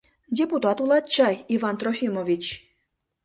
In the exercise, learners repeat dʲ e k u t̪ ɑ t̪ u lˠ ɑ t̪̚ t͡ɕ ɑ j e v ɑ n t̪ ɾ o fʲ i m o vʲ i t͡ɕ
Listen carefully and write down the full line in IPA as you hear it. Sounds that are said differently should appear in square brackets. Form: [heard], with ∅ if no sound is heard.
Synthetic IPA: dʲ e [p] u t̪ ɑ t̪ u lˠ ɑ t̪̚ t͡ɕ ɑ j [i] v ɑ n t̪ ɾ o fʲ i m o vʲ i t͡ɕ